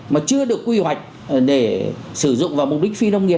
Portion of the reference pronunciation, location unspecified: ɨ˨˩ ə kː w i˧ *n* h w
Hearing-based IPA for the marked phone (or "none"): none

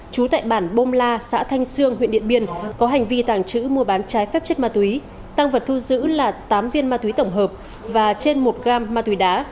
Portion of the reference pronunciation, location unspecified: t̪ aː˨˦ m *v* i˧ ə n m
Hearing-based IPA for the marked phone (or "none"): v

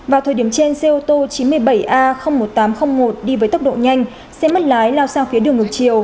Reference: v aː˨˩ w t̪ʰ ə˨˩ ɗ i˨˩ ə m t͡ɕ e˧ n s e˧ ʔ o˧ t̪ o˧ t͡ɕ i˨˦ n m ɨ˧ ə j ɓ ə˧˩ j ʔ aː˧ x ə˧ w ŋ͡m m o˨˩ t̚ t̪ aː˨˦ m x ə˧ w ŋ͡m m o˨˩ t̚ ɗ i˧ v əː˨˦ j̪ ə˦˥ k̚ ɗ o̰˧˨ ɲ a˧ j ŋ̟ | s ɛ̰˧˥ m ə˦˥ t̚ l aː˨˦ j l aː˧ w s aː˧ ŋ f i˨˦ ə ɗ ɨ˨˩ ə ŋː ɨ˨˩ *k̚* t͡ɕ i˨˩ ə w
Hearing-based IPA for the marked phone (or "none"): k̚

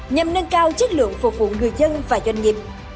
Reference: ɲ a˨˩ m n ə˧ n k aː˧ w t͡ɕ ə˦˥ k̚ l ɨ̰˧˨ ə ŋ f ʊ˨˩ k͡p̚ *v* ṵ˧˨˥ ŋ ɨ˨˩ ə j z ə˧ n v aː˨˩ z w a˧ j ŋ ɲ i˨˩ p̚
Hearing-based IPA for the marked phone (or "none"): v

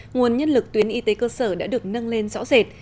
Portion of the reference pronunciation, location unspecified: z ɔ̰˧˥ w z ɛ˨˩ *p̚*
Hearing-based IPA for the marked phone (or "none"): t̚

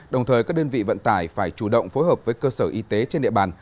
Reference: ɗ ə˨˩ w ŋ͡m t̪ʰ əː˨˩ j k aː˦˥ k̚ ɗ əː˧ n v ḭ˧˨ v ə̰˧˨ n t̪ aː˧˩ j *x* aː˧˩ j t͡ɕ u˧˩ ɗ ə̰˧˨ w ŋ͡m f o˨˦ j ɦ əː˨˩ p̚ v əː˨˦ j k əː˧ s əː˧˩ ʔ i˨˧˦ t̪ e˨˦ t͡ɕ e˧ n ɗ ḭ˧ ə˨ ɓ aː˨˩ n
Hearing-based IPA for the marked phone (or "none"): f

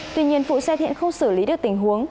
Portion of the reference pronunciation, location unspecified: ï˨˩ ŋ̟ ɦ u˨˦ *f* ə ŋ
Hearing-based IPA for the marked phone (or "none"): none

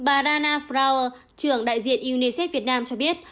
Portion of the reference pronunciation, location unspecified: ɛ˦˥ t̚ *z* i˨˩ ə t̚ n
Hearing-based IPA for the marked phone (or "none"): v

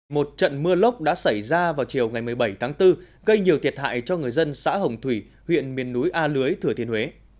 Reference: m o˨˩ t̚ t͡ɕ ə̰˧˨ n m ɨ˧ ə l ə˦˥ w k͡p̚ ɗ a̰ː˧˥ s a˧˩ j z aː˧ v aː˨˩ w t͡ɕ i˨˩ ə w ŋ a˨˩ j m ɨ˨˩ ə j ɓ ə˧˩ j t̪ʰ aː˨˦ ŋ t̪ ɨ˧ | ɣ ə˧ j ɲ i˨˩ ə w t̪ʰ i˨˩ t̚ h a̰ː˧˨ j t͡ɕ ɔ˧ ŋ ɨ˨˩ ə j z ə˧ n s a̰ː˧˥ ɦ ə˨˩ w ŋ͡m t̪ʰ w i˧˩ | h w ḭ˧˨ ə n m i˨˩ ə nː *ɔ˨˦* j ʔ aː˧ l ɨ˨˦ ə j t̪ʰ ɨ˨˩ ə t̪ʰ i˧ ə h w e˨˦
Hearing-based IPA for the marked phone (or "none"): u˨˦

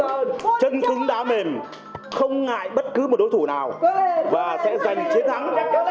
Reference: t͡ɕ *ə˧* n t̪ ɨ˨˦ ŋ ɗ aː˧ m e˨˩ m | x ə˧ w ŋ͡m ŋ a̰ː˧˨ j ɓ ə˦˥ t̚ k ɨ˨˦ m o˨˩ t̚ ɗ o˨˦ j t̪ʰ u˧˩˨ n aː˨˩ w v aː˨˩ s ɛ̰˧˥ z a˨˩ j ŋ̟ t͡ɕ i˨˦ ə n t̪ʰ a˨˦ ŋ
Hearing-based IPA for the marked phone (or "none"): ə˧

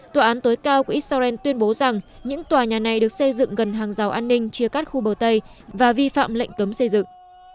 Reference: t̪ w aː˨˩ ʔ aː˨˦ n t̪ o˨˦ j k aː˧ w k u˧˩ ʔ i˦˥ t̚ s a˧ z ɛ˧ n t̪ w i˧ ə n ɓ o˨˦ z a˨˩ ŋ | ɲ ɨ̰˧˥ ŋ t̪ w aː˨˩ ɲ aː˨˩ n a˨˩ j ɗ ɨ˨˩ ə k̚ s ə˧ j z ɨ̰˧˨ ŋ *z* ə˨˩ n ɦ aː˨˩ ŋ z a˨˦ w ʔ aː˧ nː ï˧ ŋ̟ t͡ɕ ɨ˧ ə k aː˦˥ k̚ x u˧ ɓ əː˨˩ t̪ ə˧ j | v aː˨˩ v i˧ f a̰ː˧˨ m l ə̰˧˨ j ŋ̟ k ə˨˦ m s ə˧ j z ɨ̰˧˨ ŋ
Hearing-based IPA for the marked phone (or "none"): ɣ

